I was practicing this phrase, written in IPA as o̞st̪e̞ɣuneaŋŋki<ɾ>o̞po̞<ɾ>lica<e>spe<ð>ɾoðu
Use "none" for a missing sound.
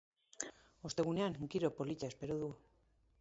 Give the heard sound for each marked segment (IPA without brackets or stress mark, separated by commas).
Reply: ɾ, none, e, none